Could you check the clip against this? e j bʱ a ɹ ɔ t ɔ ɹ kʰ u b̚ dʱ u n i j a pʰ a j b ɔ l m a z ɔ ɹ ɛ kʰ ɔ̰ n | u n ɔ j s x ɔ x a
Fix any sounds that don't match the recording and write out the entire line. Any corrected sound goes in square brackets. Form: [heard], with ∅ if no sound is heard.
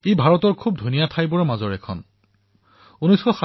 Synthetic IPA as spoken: e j bʱ a ɹ ɔ t ɔ ɹ kʰ u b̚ dʱ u n i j a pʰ a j b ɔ [ɹ] m a z ɔ ɹ ɛ kʰ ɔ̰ n | u n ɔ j s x ɔ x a

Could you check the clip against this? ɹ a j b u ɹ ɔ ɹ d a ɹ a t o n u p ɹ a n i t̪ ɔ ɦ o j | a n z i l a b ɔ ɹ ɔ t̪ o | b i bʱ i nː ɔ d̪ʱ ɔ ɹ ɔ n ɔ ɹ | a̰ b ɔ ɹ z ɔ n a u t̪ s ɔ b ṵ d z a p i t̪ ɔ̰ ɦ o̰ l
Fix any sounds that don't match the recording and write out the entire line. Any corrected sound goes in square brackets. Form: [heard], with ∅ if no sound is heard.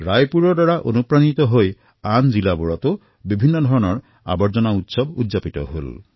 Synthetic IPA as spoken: ɹ a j [p] u ɹ ɔ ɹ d a ɹ a [ʔ] o n u p ɹ a n i t̪ ɔ ɦ o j | a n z i l a b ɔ ɹ ɔ t̪ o | b i bʱ i nː ɔ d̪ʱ ɔ ɹ ɔ n ɔ ɹ | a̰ b ɔ ɹ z ɔ n a u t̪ s ɔ b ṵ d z a p i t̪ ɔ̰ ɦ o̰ l

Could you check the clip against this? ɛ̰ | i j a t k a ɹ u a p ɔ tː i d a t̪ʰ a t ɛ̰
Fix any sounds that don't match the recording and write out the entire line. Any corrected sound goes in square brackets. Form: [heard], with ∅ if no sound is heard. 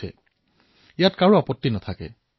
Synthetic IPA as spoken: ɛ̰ | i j a t k a ɹ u a p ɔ tː i [n] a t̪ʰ a [k] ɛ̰

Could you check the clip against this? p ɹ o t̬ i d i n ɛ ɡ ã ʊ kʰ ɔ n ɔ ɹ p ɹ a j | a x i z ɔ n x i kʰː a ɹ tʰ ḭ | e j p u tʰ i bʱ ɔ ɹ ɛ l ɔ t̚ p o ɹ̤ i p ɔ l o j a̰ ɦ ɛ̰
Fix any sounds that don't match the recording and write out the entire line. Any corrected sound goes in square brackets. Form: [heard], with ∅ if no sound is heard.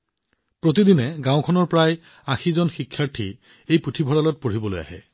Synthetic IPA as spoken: p ɹ o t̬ i d i n ɛ ɡ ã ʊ kʰ ɔ n ɔ ɹ p ɹ a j | a x i z ɔ n x i kʰː a ɹ tʰ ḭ | e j p u tʰ i bʱ ɔ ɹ [a] l ɔ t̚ p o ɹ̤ i [b] ɔ l o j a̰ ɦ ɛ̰

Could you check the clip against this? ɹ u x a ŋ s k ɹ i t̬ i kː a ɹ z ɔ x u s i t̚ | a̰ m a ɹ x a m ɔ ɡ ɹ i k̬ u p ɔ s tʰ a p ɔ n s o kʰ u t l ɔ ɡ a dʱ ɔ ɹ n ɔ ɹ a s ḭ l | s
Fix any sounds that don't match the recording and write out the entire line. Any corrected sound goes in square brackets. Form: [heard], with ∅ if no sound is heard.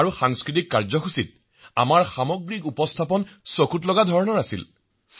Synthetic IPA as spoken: ɹ u x a ŋ s k ɹ i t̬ i kː a ɹ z ɔ x u s i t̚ | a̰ m a ɹ x a m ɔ ɡ ɹ i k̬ u p ɔ s tʰ a p ɔ n s o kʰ u t l ɔ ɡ a dʱ ɔ ɹ n ɔ ɹ a s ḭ l | s

